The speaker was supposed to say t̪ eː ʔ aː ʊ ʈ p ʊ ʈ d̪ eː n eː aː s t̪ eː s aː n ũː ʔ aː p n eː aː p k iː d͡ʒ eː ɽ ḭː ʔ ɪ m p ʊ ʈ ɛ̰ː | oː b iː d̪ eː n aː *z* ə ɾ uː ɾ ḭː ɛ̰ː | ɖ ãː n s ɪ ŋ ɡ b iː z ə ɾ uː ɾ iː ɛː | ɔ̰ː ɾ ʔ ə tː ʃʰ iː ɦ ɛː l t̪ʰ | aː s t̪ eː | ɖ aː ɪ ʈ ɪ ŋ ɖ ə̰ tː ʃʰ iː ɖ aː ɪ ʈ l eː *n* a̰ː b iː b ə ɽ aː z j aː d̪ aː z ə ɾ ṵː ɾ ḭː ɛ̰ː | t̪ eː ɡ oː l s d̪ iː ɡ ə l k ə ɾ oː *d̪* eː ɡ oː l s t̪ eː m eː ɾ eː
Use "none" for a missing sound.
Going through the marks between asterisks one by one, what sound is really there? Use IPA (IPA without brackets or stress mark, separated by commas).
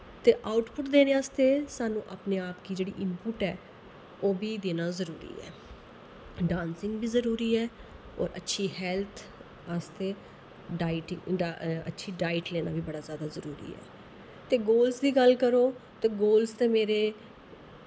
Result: z, n, t̪